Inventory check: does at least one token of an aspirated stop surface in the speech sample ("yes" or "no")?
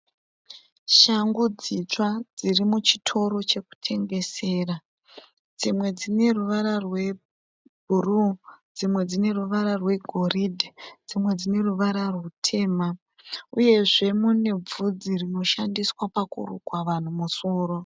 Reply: yes